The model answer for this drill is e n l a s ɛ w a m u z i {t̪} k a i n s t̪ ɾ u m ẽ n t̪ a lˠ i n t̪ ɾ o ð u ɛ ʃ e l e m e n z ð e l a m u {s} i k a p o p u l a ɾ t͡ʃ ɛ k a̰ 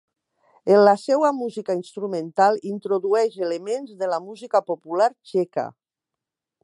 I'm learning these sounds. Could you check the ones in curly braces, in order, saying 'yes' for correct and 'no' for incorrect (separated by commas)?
no, no